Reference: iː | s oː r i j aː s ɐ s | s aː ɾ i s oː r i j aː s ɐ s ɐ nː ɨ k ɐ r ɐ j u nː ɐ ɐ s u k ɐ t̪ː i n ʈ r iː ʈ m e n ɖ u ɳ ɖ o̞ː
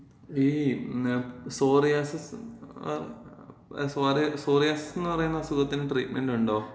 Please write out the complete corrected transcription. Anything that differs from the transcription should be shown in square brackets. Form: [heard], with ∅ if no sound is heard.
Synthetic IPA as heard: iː | s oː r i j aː s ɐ s | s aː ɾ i s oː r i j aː s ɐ s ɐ nː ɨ [p] ɐ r ɐ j u nː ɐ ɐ s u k ɐ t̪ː i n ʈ r iː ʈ m e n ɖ u ɳ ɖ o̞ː